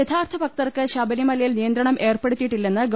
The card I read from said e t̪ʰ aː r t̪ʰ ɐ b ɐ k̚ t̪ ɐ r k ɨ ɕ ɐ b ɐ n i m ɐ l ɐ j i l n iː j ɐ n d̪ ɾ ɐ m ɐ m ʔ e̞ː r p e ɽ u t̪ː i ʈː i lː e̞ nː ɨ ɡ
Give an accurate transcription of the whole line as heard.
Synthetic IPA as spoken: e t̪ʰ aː r t̪ʰ ɐ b ɐ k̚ t̪ ɐ r k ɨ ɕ ɐ b ɐ n i m ɐ l ɐ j i l n i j ɐ n d̪ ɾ ɐ ɳ ɐ m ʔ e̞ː r p e ɽ u t̪ː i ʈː i lː e̞ nː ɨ ɡ